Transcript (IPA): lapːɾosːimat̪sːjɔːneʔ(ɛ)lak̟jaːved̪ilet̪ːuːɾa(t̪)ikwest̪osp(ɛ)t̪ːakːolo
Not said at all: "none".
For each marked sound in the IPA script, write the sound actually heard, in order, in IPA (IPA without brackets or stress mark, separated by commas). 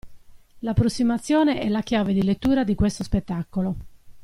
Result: ɛ, d̪, e